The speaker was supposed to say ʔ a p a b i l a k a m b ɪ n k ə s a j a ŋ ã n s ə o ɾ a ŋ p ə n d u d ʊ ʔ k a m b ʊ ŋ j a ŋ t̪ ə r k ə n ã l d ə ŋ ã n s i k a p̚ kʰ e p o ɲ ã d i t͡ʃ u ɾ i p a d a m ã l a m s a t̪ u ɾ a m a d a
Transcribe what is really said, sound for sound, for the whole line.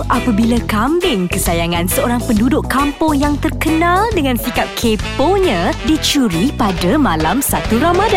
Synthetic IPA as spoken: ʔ a p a b i l a k a m b ɪ ŋ k ə s a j a ŋ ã n s ə o ɾ a ŋ p ə n d u d ʊ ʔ k a m p ʊ ŋ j a ŋ t̪ ə r k ə n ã l d ə ŋ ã n s i k a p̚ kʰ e p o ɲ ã d i t͡ʃ u ɾ i p a d a m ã l a m s a t̪ u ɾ a m a d a